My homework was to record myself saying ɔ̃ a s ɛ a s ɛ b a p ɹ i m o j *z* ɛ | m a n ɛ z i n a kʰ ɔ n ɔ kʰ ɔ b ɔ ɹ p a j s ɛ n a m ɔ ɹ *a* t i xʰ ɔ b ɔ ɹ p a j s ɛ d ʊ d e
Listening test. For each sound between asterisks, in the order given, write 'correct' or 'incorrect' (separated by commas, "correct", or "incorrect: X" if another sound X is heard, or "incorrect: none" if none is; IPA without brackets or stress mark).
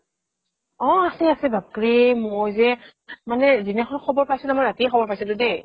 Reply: correct, correct